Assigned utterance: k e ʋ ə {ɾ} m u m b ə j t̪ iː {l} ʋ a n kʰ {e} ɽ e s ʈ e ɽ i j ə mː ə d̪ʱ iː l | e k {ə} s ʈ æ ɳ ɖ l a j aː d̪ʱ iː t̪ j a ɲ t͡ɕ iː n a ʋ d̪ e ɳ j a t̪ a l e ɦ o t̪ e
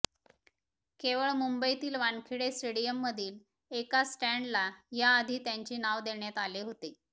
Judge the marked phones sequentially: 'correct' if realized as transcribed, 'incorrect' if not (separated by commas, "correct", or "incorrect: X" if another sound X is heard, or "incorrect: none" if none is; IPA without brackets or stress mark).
incorrect: ɭ, correct, incorrect: i, incorrect: a